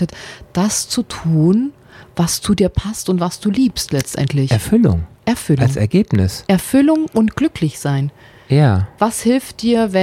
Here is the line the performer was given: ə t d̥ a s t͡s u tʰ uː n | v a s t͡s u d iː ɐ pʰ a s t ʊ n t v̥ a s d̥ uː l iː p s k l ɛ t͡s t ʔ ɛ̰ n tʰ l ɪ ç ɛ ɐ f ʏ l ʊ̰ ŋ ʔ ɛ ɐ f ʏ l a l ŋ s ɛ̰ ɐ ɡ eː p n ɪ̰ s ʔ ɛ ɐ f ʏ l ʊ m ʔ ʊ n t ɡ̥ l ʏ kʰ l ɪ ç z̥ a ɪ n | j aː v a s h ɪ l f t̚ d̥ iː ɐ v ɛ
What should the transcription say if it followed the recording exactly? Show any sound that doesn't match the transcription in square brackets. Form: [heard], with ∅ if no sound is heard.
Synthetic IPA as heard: ə t d̥ a s t͡s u tʰ uː n | v a s t͡s u d iː ɐ pʰ a s t ʊ n t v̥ a s d̥ uː l iː p s [t] l ɛ t͡s t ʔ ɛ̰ n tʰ l ɪ ç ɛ ɐ f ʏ l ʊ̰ ŋ ʔ ɛ ɐ f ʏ l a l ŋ s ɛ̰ ɐ ɡ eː p n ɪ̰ s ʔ ɛ ɐ f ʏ l ʊ [ŋ] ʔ ʊ n t ɡ̥ l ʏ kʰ l ɪ ç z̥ a ɪ n | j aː v a s h ɪ l f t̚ d̥ iː ɐ v ɛ